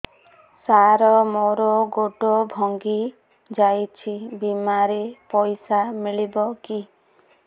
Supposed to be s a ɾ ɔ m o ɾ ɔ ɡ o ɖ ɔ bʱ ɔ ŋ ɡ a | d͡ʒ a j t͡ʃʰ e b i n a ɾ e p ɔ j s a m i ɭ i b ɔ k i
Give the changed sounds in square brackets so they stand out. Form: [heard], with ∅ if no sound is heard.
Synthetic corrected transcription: s a ɾ ɔ m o ɾ ɔ ɡ o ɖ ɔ bʱ ɔ ŋ ɡ [i] | d͡ʒ a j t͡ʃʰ [i] b i [m] a ɾ e p ɔ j s a m i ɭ i b ɔ k i

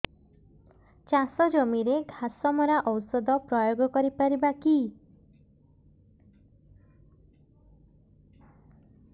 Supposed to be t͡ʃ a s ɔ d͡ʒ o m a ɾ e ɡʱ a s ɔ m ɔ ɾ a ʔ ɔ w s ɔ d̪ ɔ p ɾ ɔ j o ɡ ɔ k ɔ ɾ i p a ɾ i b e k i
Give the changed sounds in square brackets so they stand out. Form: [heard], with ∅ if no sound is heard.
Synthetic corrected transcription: t͡ʃ a s ɔ d͡ʒ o m [i] ɾ e ɡʱ a s ɔ m ɔ ɾ a ʔ ɔ w s ɔ d̪ ɔ p ɾ ɔ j o ɡ ɔ k ɔ ɾ i p a ɾ i b [a] k i

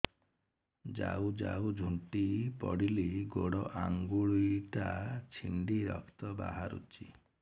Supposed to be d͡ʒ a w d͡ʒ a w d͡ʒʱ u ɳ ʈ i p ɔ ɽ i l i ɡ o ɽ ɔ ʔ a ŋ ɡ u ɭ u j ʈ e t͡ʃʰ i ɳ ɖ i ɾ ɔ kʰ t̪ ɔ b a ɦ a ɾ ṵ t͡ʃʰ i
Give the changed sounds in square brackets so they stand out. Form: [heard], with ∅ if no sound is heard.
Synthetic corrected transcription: d͡ʒ a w d͡ʒ a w d͡ʒʱ u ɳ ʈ i p ɔ ɽ i l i ɡ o ɽ ɔ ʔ a ŋ ɡ u ɭ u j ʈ [a] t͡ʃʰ i ɳ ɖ i ɾ ɔ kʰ t̪ ɔ b a ɦ a ɾ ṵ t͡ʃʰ i

